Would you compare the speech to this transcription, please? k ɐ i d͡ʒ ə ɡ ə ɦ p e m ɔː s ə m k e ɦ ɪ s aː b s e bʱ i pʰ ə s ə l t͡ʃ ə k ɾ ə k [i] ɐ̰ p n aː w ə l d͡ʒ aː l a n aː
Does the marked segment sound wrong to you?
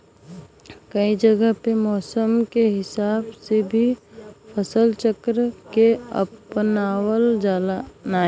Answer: yes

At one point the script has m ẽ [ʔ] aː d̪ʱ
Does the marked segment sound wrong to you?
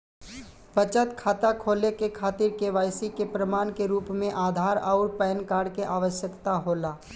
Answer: no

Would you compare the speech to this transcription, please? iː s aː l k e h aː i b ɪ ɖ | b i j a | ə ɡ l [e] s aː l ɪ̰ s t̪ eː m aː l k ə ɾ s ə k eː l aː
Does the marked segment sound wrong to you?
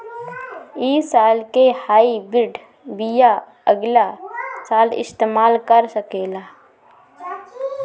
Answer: yes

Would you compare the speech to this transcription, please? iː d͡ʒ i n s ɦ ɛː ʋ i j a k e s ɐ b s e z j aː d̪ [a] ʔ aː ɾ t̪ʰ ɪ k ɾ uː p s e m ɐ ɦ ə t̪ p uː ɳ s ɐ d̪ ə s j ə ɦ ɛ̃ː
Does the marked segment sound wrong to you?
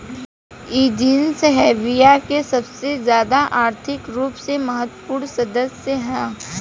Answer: no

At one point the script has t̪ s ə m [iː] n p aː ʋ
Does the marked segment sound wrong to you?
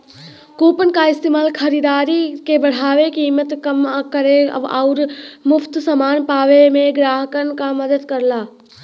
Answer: yes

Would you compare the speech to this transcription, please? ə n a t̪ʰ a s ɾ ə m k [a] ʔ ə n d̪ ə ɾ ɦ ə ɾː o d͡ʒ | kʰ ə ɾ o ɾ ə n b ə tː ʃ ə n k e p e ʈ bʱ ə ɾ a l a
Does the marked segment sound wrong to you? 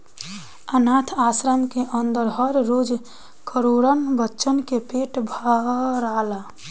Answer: yes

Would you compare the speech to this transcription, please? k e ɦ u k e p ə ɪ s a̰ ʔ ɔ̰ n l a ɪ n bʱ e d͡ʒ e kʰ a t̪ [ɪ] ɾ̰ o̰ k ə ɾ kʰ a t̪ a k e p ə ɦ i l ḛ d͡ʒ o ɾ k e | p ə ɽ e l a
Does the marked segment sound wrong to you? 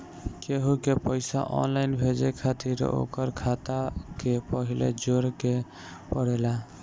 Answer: yes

